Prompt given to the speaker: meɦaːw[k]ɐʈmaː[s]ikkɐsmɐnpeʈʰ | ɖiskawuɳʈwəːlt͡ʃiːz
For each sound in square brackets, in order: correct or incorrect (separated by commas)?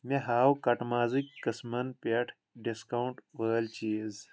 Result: correct, incorrect